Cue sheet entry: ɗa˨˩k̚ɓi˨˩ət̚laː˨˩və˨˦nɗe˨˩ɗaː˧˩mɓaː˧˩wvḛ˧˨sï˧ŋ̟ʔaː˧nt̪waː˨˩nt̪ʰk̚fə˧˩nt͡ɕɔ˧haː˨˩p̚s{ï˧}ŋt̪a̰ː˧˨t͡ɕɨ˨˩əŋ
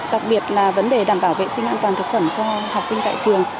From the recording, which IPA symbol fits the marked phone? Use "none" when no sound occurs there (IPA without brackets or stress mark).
ï˧